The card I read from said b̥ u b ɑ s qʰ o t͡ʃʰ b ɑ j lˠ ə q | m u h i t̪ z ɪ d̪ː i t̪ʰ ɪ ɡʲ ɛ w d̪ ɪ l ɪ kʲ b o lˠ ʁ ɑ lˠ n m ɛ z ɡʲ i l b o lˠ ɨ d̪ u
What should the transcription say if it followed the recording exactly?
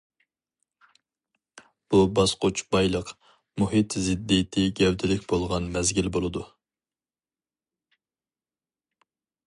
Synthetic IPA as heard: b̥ u b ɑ s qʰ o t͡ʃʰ b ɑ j lˠ ə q | m u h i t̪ z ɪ d̪ː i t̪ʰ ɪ ɡʲ ɛ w d̪ ɪ l ɪ kʲ b o lˠ ʁ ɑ n m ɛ z ɡʲ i l b o lˠ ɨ d̪ u